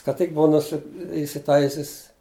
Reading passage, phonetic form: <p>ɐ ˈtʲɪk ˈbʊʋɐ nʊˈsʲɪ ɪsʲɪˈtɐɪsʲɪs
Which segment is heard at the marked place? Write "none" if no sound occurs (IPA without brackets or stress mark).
k